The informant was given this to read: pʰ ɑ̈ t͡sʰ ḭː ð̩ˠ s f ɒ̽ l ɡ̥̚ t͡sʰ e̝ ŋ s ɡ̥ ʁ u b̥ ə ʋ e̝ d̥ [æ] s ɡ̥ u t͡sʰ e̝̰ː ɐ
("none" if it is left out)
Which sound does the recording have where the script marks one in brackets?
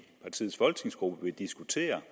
i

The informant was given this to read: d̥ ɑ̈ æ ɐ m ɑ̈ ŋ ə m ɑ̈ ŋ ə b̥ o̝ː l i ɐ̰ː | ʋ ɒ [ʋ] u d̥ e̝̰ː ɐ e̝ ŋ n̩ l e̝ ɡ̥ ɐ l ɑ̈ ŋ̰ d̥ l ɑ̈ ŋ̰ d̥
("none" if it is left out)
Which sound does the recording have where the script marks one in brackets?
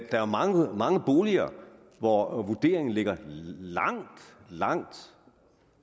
ʋ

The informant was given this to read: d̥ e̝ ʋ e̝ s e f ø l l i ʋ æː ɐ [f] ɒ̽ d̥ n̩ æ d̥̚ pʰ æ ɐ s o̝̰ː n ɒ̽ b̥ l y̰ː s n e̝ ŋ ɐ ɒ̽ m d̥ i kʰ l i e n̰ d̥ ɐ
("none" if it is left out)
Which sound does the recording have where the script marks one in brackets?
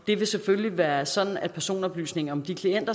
s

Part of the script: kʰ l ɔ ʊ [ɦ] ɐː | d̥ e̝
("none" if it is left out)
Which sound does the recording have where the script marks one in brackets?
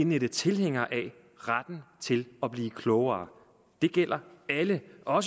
none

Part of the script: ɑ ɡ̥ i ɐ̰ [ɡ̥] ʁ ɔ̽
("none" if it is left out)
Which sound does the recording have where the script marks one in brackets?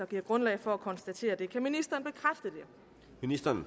ɡ̥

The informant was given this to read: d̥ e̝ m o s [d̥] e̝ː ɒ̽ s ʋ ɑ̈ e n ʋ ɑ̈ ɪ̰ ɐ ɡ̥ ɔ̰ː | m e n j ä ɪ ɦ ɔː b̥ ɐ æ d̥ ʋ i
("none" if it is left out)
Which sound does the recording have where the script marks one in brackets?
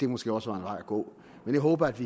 ɡ̥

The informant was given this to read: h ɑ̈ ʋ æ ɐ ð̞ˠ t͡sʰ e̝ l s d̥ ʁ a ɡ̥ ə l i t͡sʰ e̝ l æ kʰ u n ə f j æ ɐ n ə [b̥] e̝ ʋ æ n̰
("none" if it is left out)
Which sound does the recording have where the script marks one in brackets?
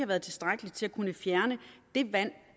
d̥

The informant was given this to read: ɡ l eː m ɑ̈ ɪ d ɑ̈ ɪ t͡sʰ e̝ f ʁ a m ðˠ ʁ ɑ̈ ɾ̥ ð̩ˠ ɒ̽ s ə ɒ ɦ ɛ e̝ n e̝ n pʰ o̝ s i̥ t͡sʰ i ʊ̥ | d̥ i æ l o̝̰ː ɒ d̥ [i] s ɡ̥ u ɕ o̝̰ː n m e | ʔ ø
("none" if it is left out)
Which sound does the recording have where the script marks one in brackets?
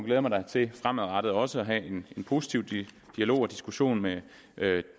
i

